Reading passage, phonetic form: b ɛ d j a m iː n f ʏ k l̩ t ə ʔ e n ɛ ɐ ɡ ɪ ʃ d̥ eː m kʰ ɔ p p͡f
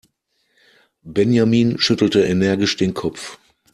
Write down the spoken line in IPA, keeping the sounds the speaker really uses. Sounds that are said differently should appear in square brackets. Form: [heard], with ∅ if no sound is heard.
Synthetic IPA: b ɛ [n] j a m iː n [ʃ] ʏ [t] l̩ t ə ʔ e n ɛ ɐ ɡ ɪ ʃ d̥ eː [n] kʰ ɔ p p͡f